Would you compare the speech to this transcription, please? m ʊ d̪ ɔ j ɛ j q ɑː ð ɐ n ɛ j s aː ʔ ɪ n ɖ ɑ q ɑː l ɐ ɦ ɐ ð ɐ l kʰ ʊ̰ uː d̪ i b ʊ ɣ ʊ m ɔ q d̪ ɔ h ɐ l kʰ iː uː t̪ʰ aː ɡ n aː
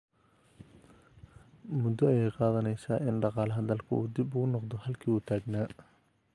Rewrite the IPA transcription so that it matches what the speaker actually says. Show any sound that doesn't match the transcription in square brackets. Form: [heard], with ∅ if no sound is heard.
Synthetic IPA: m ʊ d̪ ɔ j ɛ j q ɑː ð ɐ n ɛ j s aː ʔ ɪ n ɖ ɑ q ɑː l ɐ ɦ ɐ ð ɐ l kʰ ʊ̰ uː d̪ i b ʊ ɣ ʊ [n] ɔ q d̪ ɔ h ɐ l kʰ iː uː t̪ʰ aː ɡ n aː

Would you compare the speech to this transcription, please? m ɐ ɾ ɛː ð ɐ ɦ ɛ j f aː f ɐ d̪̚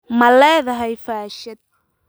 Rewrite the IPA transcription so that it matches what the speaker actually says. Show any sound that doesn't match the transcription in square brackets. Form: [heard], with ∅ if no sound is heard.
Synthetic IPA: m ɐ [l] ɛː ð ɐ ɦ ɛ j f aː [ʃ] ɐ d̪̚

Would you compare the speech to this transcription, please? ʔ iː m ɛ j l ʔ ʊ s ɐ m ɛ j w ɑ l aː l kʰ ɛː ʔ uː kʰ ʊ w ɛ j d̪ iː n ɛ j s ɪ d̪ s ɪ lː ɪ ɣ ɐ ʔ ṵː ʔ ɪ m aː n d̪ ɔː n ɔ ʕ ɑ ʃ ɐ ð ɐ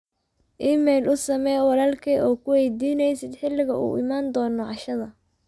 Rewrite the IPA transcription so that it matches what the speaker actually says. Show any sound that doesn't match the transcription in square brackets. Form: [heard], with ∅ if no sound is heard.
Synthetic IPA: ʔ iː m ɛ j l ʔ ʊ s ɐ m ɛ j w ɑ l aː l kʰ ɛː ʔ [ɔː] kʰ ʊ w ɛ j d̪ iː n ɛ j s ɪ d̪ [ħ] ɪ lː ɪ ɣ ɐ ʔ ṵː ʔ ɪ m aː n d̪ ɔː n ɔ ʕ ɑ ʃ ɐ ð ɐ

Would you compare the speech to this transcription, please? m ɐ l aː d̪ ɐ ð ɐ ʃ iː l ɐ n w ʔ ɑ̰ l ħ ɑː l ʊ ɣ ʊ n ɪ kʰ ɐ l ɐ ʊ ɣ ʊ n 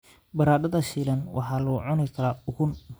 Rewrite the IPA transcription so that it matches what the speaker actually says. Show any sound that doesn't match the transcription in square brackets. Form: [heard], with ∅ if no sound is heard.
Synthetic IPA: [b] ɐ [ɾ] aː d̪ ɐ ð ɐ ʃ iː l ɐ n w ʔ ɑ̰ [∅] ħ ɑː l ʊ [ʕ] ʊ n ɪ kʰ ɐ l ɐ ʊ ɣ ʊ n

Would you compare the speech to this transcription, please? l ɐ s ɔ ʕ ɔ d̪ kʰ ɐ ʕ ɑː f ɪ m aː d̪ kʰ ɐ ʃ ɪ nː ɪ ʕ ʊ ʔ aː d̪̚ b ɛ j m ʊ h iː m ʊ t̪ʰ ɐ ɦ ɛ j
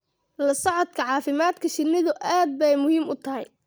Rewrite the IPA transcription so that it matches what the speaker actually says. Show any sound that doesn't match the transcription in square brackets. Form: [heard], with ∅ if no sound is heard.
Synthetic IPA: l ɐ s ɔ ʕ ɔ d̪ kʰ ɐ ʕ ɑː f ɪ m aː d̪ kʰ ɐ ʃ ɪ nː ɪ [ð] ʊ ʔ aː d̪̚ b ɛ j m ʊ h iː m ʊ t̪ʰ ɐ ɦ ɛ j

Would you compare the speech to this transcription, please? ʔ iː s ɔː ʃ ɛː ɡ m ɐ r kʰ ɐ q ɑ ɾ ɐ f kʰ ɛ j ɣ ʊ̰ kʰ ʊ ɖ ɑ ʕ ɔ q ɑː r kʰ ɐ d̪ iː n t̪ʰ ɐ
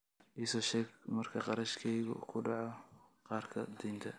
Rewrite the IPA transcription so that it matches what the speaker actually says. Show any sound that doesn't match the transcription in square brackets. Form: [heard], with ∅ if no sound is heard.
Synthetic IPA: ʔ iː s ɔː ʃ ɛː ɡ m ɐ r kʰ ɐ q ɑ ɾ ɐ [ʃ] kʰ ɛ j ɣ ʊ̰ kʰ ʊ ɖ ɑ ʕ ɔ q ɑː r kʰ ɐ d̪ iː n t̪ʰ ɐ

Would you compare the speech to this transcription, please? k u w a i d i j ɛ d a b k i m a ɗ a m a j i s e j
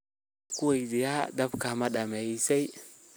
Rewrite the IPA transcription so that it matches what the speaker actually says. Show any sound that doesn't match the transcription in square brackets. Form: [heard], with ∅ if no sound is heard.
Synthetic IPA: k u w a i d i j [a] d a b k [a] m a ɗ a m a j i s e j

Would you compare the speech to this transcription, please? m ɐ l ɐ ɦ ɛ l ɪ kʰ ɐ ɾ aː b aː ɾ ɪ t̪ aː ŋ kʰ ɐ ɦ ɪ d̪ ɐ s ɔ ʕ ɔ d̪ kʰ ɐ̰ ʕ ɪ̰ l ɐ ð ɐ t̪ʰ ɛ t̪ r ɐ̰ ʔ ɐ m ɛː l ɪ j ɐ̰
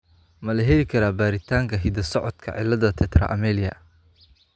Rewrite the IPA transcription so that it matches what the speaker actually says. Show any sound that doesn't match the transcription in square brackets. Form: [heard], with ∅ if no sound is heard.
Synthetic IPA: m ɐ l ɐ ɦ ɛ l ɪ kʰ ɐ ɾ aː b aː ɾ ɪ [t̪ʰ] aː ŋ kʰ ɐ ɦ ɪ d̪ ɐ s ɔ ʕ ɔ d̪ kʰ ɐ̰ ʕ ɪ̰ l ɐ ð ɐ t̪ʰ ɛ t̪ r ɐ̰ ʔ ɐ m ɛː l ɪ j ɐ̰

